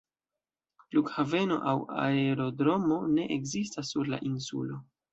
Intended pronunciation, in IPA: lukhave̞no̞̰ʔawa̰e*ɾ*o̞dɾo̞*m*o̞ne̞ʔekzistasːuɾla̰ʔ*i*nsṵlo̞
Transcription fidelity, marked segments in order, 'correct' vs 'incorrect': correct, correct, correct

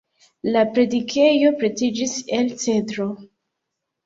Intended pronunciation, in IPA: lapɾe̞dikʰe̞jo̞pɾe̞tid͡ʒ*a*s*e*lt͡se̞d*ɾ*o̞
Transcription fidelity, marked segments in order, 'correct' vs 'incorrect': incorrect: i, correct, correct

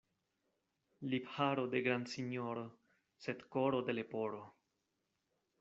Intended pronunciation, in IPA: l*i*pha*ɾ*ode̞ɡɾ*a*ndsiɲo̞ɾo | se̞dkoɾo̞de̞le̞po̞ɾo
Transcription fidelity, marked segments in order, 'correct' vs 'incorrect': correct, correct, correct

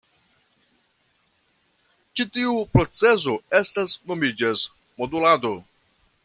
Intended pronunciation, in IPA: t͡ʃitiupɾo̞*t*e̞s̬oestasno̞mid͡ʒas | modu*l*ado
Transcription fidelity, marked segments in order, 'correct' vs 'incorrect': incorrect: t͡s, correct

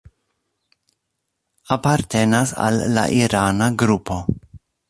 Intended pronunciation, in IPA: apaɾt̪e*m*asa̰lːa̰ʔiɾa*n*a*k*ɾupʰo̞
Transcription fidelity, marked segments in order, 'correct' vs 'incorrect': incorrect: n, correct, incorrect: ɡ

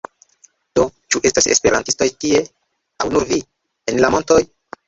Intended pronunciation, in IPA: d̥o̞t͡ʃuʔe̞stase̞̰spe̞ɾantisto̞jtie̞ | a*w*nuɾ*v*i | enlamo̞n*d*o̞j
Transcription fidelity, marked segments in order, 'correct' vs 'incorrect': correct, correct, incorrect: t

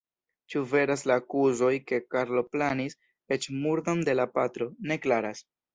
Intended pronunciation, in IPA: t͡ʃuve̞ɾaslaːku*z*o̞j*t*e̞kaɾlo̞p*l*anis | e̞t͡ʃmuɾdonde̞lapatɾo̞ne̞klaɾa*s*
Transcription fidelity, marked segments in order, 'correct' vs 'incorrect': correct, incorrect: k, correct, correct

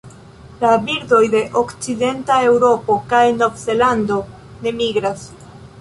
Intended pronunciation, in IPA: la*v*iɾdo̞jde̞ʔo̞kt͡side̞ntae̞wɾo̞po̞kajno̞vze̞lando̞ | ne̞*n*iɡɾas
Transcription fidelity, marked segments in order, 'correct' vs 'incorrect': incorrect: b, incorrect: m

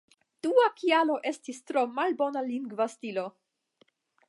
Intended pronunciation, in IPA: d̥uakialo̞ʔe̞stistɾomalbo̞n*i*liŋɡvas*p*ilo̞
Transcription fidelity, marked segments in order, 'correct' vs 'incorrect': incorrect: a, incorrect: t

